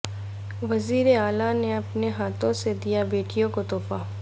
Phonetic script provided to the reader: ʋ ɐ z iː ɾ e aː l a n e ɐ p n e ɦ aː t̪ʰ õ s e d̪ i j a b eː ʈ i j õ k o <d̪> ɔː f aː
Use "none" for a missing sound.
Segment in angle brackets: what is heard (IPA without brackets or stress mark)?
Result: t̪